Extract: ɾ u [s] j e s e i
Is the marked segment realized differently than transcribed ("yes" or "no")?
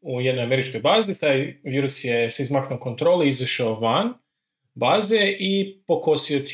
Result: no